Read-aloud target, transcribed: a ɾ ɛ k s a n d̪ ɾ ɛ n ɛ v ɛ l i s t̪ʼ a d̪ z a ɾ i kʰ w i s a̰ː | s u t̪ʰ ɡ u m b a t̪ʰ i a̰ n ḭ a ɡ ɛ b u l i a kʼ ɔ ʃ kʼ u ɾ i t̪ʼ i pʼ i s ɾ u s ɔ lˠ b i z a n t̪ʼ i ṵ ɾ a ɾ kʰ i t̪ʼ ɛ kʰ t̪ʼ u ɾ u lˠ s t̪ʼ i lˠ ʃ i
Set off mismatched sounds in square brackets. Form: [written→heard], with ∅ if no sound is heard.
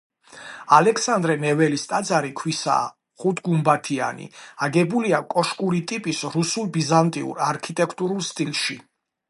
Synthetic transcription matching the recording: a [ɾ→l] ɛ k s a n d̪ ɾ ɛ n ɛ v ɛ l i s t̪ʼ a d̪ z a ɾ i kʰ w i s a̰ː | [s→χ] u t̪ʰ ɡ u m b a t̪ʰ i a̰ n ḭ a ɡ ɛ b u l i a kʼ ɔ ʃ kʼ u ɾ i t̪ʼ i pʼ i s ɾ u s [ɔ→u] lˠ b i z a n t̪ʼ i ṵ ɾ a ɾ kʰ i t̪ʼ ɛ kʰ t̪ʼ u ɾ u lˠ s t̪ʼ i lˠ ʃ i